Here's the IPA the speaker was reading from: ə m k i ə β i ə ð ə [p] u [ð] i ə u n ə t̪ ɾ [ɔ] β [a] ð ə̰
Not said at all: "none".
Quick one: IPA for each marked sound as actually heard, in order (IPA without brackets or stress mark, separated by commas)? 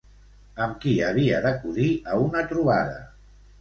k, ð, u, a